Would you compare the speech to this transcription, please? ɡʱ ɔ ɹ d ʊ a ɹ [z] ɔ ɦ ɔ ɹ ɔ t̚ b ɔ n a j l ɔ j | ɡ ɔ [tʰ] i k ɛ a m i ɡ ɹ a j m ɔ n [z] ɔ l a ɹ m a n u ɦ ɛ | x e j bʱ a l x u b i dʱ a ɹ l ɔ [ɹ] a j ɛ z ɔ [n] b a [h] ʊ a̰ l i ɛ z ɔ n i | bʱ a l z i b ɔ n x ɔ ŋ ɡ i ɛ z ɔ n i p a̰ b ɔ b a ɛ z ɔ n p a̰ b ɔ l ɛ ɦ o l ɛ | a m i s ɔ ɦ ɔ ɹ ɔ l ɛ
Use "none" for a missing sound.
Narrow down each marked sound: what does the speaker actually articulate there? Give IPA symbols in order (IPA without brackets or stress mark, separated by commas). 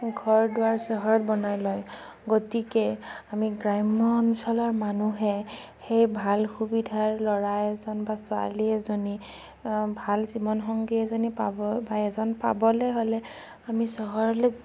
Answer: s, t, s, ɹ, n, s